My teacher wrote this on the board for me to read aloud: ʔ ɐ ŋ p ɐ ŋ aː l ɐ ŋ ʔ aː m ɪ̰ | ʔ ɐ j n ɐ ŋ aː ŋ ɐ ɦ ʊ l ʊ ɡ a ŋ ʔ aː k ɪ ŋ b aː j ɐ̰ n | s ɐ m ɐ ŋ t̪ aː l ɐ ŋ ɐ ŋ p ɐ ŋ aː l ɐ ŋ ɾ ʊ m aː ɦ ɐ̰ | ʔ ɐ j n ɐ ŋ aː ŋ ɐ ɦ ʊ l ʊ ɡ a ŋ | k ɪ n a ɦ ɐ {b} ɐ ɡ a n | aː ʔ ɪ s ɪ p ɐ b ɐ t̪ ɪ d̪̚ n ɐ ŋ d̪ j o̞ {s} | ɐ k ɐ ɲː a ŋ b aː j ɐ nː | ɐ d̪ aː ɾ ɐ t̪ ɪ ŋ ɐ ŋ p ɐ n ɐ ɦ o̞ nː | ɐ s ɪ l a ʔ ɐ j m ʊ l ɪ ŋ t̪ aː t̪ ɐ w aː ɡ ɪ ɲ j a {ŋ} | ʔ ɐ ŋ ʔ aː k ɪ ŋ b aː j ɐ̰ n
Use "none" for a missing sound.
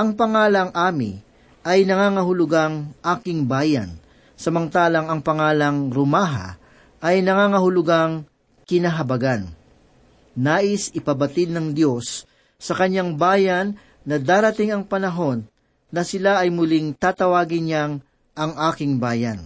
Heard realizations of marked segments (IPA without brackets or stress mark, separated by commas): b, sː, ŋ